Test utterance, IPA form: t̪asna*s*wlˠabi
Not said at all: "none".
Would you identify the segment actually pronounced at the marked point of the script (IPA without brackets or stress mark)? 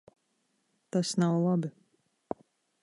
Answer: none